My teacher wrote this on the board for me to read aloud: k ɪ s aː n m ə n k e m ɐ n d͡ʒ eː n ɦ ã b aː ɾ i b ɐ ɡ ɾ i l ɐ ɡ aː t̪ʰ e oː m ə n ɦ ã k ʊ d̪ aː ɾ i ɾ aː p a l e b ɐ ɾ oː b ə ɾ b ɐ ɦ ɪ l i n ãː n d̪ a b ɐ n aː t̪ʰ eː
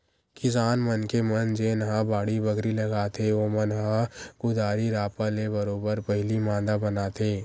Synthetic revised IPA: k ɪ s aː n m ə n k e m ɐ n d͡ʒ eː n ɦ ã b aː ɽ i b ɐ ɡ ɾ i l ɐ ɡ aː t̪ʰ e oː m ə n ɦ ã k ʊ d̪ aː ɾ i ɾ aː p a l e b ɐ ɾ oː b ə ɾ p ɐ ɦ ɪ l i m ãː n d̪ a b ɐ n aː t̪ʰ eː